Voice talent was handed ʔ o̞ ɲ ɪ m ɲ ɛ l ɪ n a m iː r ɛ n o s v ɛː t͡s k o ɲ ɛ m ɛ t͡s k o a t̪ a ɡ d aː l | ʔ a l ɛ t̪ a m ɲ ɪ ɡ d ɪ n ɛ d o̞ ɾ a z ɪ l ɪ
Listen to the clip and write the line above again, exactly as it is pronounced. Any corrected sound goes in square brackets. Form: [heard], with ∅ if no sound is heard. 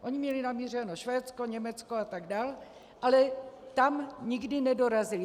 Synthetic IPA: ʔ o̞ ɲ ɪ m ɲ ɛ l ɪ n a m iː r ɛ n o [ʃ] v ɛː t͡s k o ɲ ɛ m ɛ t͡s k o a t̪ a ɡ d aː l | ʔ a l ɛ t̪ a m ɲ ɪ ɡ d ɪ n ɛ d o̞ ɾ a z ɪ l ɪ